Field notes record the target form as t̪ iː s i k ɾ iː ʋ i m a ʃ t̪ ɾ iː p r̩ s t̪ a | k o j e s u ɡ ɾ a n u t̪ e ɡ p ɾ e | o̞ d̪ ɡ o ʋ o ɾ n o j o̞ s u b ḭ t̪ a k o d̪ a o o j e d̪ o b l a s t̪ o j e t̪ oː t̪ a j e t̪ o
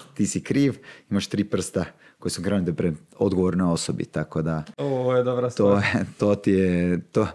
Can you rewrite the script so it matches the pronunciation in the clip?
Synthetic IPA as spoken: t̪ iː s i k ɾ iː ʋ i m a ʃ t̪ ɾ iː p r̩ s t̪ a | k o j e s u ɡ ɾ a n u t̪ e p ɾ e | o̞ d̪ ɡ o ʋ o ɾ n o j o̞ s o b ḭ t̪ a k o d̪ a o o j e d̪ o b ɾ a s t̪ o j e t̪ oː t̪ i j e t̪ o